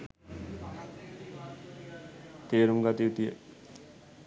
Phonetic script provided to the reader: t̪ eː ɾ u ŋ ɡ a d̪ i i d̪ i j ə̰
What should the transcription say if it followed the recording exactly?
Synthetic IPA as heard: t̪ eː ɾ u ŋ ɡ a t̪ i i t̪ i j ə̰